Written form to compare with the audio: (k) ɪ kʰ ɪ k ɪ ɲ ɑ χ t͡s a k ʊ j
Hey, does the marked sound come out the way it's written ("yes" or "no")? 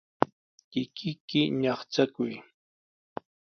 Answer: yes